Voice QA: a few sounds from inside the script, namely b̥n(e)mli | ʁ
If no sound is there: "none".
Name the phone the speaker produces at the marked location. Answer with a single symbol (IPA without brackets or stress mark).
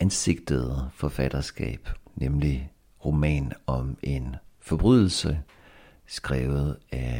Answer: e